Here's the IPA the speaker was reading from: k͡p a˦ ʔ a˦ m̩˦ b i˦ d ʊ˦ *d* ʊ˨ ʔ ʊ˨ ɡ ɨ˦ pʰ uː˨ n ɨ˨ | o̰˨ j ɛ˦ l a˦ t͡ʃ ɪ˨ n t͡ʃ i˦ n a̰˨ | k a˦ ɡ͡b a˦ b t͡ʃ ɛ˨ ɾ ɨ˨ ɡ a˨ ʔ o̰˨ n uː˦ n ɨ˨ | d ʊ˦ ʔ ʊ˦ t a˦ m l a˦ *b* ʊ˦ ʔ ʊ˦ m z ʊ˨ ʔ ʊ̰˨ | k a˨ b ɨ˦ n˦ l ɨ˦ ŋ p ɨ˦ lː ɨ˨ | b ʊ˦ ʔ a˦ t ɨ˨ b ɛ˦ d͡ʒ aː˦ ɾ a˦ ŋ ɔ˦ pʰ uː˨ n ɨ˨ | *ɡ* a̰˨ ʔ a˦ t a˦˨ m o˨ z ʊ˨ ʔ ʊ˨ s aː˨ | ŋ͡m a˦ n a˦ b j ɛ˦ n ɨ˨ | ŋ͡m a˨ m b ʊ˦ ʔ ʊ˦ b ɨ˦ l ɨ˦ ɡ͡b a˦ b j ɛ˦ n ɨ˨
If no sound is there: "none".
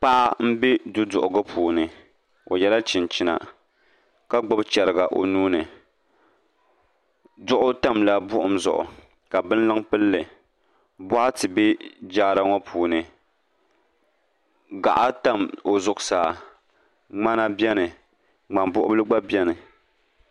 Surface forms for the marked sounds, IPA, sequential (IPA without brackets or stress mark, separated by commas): d, b, ɡ